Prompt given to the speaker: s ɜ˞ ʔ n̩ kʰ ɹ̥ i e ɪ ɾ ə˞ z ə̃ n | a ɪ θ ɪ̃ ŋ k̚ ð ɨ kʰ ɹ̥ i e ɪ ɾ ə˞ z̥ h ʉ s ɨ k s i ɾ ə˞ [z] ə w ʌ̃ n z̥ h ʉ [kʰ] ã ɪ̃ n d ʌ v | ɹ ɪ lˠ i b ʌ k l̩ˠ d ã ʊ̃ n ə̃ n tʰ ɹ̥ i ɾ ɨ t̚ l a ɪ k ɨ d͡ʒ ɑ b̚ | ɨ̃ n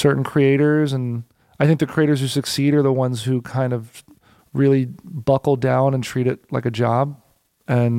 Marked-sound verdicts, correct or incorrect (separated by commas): incorrect, correct